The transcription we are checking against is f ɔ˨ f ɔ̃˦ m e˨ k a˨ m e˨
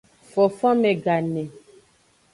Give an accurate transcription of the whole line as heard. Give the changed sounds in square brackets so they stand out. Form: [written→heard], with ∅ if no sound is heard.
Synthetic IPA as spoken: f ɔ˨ f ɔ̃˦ m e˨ [k→ɡ] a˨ [m→n] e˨